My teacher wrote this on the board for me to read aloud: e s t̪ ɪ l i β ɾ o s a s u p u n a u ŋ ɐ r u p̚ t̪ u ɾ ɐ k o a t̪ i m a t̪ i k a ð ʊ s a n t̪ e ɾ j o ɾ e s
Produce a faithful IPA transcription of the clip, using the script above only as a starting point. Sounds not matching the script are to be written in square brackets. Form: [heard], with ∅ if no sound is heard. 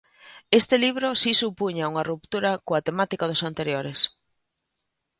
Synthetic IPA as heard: e s t̪ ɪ l i β ɾ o s [i] s u p u [ɲ] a u ŋ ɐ r u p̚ t̪ u ɾ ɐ k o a t̪ [e] m a t̪ i k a ð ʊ s a n t̪ e ɾ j o ɾ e s